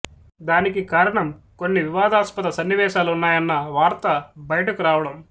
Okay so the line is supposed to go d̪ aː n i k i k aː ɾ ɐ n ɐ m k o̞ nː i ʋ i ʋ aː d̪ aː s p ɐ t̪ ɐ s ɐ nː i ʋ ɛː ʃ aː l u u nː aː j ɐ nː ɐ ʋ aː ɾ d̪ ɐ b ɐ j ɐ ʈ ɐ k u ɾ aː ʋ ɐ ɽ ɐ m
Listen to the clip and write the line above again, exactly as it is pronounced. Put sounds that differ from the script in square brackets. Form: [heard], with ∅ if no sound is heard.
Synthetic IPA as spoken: d̪ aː n i k i k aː ɾ ɐ [ɳ] ɐ m k o̞ nː i ʋ i ʋ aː d̪ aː s p ɐ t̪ ɐ s ɐ nː i ʋ ɛː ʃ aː l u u nː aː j ɐ nː ɐ ʋ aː ɾ [t̪] ɐ b ɐ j ɐ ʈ ɐ k u ɾ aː ʋ ɐ ɽ ɐ m